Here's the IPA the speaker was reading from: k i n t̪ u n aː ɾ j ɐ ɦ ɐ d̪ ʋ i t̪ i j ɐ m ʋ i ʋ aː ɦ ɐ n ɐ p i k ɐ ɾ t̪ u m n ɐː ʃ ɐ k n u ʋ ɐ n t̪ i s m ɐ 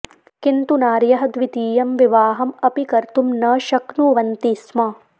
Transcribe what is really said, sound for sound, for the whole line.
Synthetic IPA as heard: k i n t̪ u n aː ɾ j ɐ ɦ ɐ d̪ ʋ i t̪ iː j ɐ m ʋ i ʋ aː ɦ ɐ m ɐ p i k ɐ ɾ t̪ u m n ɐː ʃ ɐ k n u ʋ ɐ n t̪ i s m ɐ